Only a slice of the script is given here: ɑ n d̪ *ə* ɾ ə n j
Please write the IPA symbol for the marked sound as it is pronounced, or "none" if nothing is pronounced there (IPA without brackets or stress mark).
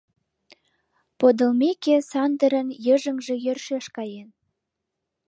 ə